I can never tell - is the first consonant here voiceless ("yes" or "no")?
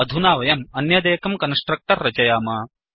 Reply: no